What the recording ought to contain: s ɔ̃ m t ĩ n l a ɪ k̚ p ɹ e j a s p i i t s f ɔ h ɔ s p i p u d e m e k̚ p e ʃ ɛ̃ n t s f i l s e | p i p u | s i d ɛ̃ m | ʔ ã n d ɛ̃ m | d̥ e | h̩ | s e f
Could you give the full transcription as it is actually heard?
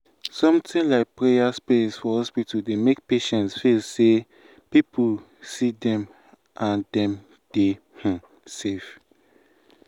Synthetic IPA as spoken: s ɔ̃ m t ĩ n l a ɪ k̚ p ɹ e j a s p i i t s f ɔ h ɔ s p i t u d e m e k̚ p e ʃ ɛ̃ n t s f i l s e | p i p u | s i d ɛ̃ m | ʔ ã n d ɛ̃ m | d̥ e | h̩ | s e f